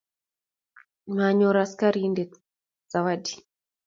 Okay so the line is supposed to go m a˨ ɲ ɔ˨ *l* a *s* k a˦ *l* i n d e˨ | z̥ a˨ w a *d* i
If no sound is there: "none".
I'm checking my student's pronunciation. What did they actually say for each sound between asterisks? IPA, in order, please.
ɾ, s, ɾ, d

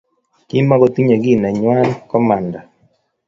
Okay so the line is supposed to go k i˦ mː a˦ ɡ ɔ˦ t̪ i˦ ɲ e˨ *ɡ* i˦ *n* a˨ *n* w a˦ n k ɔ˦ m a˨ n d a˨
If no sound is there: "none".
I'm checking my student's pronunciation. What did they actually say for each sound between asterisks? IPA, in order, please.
ɡ, n, ɲ

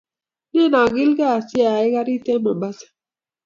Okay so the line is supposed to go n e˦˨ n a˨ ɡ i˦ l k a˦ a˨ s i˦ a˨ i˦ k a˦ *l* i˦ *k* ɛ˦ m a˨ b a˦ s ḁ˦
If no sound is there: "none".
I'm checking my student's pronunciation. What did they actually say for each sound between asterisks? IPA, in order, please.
ɾ, t

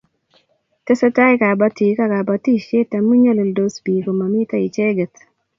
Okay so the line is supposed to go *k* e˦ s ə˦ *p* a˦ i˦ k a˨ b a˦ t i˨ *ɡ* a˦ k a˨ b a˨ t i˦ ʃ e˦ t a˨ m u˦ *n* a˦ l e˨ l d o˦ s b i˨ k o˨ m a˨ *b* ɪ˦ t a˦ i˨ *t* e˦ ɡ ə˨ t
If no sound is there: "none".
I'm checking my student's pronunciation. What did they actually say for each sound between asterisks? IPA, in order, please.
t, t, k, ɲ, m, t͡ʃ

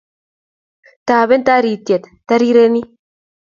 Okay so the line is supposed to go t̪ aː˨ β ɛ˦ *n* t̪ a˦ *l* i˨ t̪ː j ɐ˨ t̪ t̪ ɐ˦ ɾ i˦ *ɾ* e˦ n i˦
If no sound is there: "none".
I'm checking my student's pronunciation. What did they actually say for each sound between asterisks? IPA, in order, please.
n, ɾ, ɾ

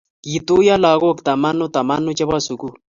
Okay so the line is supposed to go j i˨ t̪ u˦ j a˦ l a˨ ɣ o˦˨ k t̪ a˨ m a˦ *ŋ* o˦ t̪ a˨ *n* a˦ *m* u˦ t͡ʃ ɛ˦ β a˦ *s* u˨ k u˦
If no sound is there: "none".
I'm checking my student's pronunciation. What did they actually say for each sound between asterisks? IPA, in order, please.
n, m, n, s

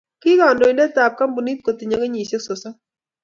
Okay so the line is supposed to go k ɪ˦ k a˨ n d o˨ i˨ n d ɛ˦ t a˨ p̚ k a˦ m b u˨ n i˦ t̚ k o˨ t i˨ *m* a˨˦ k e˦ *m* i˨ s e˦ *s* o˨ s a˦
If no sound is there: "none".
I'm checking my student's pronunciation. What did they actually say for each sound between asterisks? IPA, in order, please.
ɲ, ɲ, s

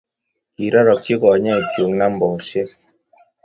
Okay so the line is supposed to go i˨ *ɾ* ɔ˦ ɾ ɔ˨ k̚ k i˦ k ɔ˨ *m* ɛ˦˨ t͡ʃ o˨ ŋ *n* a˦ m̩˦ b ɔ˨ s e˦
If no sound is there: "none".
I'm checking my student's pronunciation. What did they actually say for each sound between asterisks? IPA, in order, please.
ɾ, ɲ, n

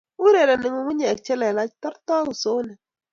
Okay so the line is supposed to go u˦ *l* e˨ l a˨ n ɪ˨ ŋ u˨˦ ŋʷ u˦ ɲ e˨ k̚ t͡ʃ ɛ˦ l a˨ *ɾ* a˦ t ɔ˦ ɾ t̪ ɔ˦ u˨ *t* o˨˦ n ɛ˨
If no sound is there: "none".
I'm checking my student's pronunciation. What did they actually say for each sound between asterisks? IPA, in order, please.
ɾ, l, s

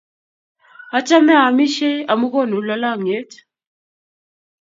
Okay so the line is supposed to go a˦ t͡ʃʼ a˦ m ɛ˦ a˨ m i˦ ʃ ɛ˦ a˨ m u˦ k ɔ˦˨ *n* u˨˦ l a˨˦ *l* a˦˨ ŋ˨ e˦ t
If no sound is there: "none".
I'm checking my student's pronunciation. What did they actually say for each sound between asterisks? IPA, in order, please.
n, l

